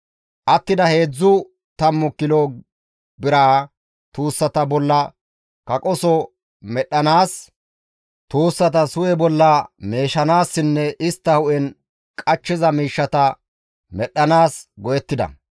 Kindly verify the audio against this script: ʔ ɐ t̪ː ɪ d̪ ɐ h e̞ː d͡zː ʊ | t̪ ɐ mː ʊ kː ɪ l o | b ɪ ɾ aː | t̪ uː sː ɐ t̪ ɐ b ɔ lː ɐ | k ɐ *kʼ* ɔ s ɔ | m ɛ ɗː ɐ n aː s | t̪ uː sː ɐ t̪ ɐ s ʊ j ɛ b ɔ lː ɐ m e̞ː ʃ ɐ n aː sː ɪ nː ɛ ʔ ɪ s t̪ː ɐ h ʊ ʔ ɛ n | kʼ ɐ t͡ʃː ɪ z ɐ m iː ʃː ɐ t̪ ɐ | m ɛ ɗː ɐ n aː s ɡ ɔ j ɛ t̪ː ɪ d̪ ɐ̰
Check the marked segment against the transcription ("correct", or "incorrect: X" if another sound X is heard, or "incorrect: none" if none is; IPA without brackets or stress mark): correct